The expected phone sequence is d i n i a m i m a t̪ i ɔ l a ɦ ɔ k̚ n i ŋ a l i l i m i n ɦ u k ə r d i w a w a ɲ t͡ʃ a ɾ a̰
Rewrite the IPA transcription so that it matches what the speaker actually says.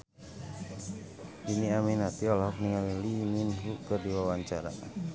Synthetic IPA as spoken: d i n i a m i n a t̪ i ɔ l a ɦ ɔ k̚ n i ŋ a l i l i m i n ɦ u k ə r d i w a w a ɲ t͡ʃ a ɾ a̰